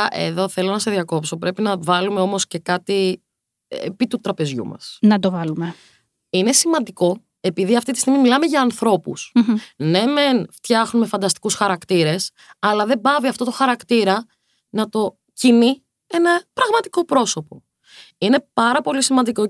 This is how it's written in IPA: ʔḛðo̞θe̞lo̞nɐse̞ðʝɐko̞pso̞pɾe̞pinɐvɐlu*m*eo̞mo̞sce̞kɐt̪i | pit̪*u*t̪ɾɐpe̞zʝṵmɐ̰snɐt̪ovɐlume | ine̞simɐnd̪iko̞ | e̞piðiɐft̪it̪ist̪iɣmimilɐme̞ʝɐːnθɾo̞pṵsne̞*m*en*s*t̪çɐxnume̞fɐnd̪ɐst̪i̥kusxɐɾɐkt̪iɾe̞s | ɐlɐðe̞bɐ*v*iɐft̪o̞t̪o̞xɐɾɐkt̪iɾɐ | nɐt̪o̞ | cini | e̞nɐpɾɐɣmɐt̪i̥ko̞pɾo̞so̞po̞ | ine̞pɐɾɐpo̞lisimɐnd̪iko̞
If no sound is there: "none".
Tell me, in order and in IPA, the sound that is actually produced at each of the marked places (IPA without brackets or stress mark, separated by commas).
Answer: m, u, m, f, v